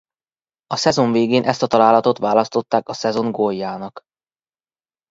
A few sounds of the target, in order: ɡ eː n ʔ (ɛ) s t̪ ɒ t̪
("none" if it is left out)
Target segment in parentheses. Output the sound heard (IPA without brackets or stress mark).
ɛ